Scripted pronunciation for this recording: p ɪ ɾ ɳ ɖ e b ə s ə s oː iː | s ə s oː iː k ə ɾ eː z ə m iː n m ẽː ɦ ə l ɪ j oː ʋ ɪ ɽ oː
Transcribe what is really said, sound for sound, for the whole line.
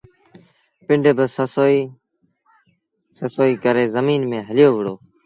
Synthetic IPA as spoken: p ɪ ɳ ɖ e b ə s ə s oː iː | s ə s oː iː k ə ɾ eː z ə m iː n m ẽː ɦ ə l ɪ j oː ʋ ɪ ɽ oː